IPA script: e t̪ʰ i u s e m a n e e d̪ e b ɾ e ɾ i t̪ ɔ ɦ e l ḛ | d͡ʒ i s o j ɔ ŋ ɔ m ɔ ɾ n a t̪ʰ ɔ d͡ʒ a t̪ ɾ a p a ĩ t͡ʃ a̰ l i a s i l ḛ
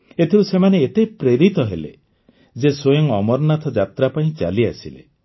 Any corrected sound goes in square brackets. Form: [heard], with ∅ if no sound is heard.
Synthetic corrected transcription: e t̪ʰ i u s e m a n e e [t̪] e [p] ɾ e ɾ i t̪ ɔ ɦ e l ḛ | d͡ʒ [e] s o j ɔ ŋ ɔ m ɔ ɾ n a t̪ʰ ɔ d͡ʒ a t̪ ɾ a p a ĩ t͡ʃ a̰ l i a s i l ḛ